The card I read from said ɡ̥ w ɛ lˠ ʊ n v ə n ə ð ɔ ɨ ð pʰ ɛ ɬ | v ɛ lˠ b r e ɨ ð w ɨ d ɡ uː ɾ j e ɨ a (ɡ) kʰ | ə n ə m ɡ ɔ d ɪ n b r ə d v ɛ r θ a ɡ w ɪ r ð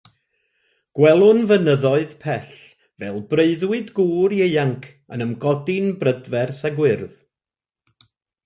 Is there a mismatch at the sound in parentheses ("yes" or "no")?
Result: yes